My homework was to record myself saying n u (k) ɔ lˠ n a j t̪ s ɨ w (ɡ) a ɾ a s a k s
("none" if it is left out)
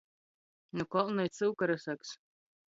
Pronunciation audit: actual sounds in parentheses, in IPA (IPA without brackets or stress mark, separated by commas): k, k